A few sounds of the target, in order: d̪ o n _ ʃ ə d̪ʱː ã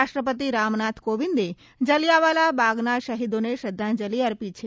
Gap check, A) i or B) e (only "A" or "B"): B